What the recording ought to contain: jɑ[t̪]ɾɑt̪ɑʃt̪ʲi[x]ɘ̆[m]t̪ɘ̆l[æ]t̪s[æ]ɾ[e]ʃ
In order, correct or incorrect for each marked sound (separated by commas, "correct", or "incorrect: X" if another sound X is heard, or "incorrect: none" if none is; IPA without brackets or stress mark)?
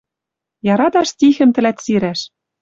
incorrect: none, correct, correct, correct, incorrect: i, incorrect: æ